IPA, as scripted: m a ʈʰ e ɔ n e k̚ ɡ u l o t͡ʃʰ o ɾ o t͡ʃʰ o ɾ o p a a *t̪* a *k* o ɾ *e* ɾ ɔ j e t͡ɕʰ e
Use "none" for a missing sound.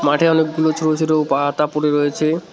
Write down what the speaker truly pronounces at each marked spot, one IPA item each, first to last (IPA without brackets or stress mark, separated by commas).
t̪, p, e